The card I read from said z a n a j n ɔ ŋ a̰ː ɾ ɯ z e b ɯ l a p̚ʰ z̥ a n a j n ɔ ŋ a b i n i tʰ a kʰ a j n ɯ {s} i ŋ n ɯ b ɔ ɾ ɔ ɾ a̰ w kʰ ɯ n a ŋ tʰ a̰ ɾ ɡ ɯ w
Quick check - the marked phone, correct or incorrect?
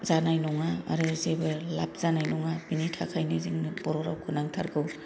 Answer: incorrect: z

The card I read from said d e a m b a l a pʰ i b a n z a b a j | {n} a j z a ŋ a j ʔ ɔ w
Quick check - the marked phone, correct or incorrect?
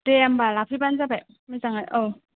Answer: incorrect: m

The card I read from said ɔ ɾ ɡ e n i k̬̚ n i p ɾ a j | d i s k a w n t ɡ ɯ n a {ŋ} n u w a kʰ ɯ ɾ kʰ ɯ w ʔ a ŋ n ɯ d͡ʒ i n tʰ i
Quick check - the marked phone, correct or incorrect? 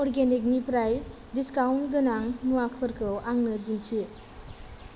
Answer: correct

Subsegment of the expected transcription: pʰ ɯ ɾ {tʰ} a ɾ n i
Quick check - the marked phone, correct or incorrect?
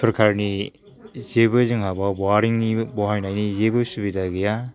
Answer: incorrect: kʰ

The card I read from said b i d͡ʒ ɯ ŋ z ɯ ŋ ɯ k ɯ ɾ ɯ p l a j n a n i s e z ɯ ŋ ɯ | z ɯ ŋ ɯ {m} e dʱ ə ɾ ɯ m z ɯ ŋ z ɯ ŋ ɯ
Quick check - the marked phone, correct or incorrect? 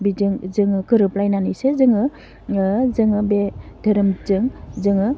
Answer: incorrect: b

